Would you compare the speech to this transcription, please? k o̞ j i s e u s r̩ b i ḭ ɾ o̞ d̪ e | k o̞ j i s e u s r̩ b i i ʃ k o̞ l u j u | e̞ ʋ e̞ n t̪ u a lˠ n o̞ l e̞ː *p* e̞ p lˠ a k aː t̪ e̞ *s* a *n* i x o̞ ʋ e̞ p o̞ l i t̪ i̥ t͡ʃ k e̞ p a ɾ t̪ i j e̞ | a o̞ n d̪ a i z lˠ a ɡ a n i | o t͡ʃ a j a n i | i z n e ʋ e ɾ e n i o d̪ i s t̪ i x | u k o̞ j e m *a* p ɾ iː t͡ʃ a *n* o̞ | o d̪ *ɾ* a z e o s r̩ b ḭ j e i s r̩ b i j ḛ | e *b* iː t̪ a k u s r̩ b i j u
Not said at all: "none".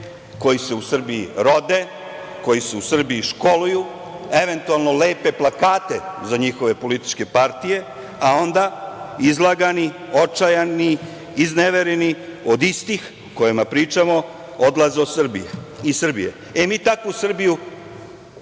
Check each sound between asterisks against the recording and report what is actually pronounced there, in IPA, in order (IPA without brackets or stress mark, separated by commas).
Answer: p, z, ɲ, a, m, l, m